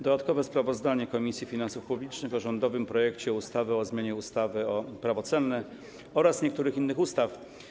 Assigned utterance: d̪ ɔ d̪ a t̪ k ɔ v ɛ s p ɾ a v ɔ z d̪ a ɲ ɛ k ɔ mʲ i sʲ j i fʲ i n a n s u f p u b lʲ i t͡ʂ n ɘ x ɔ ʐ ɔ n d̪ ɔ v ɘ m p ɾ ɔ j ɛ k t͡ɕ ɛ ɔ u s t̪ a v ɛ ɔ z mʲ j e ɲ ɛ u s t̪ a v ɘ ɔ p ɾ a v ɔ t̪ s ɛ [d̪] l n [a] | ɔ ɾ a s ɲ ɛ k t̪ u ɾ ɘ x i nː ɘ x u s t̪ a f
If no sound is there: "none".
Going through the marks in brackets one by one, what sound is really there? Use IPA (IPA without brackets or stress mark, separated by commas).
none, ɛ